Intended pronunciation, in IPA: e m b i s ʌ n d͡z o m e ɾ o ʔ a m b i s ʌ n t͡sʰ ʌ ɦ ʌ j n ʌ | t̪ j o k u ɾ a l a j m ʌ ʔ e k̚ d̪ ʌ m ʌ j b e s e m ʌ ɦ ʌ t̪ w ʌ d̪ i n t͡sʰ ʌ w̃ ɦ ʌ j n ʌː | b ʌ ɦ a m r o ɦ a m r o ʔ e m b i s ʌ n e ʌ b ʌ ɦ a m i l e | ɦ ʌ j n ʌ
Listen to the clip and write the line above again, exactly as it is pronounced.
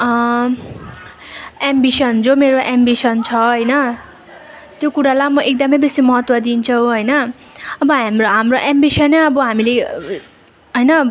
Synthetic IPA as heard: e m b i s ʌ n d͡z o m e ɾ o ʔ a m b i s ʌ n t͡sʰ ʌ ɦ ʌ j n ʌ | t̪ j o k u ɾ a l a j m ʌ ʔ e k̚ d̪ ʌ m ʌ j b e s i m ʌ ɦ ʌ t̪ w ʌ d̪ i n t͡sʰ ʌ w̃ ɦ ʌ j n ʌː | b ʌ ɦ a m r o ɦ a m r o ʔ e m b i s ʌ n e ʌ b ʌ ɦ a m i l e | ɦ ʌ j n ʌ